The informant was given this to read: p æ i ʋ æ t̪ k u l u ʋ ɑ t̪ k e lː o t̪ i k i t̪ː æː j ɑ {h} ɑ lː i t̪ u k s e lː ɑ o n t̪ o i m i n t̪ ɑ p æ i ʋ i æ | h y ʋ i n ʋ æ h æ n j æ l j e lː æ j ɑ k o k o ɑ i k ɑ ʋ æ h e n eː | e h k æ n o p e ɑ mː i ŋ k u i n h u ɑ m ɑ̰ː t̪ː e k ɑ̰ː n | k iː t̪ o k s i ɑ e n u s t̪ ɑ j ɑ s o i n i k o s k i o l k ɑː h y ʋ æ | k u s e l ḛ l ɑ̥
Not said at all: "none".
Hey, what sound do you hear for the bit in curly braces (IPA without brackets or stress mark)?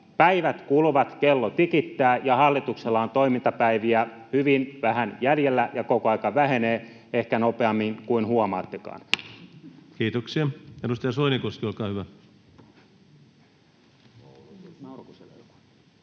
h